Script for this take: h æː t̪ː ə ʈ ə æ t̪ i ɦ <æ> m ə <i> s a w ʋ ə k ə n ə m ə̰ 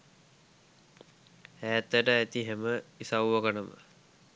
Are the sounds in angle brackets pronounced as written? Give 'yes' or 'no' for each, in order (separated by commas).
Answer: no, yes